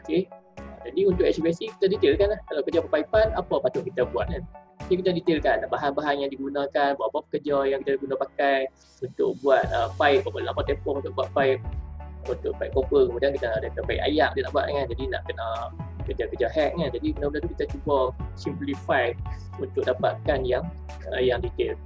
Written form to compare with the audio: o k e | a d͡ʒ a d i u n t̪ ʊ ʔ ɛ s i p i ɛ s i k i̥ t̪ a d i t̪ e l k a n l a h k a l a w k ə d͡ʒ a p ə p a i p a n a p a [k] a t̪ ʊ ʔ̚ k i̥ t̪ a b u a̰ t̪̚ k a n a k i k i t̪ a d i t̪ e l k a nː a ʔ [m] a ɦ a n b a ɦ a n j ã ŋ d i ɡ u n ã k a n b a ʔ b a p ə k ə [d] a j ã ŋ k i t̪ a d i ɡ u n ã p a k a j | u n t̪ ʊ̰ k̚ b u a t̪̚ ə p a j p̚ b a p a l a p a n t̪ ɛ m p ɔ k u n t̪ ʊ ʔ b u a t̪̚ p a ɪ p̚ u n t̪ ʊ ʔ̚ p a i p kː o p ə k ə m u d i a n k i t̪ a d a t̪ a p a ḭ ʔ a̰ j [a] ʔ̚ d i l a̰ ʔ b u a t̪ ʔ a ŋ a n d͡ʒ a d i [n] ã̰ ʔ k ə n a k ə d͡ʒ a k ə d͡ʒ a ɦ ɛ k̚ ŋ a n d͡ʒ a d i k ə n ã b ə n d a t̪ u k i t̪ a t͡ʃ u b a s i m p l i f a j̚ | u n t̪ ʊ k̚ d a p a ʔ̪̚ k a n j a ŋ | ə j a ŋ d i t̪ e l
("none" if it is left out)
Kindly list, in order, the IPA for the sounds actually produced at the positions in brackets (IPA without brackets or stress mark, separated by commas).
p, b, d͡ʒ, a, n